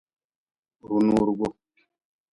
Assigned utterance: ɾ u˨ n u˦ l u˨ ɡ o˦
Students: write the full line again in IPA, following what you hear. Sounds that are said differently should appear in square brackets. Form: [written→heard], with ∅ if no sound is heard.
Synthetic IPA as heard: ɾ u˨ n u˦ [l→ɾ] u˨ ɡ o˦